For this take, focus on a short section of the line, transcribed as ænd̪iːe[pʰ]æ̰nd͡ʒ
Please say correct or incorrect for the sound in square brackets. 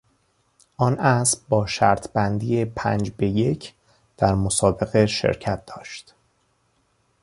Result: correct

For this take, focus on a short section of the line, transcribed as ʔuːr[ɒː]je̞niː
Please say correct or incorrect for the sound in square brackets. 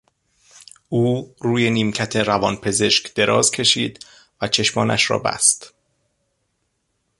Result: incorrect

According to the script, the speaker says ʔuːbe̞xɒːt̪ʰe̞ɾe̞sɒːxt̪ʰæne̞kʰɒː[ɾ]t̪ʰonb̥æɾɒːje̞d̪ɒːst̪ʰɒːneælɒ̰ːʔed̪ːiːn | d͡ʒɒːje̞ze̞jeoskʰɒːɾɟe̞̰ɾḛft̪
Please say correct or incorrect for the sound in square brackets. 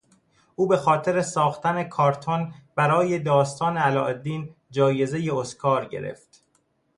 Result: correct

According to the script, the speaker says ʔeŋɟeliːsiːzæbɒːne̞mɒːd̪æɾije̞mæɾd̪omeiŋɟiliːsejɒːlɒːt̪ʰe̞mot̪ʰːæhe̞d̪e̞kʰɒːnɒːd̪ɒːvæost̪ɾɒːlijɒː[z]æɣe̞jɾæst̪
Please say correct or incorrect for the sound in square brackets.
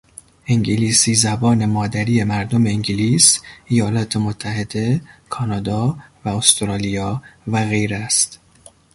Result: incorrect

